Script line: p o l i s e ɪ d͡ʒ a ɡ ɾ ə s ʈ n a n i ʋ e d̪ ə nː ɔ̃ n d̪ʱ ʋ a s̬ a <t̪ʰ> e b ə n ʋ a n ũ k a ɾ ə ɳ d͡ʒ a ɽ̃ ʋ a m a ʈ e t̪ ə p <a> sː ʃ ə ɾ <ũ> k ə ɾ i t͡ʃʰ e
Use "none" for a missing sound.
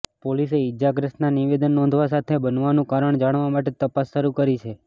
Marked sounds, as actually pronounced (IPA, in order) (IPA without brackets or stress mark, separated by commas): t̪ʰ, a, u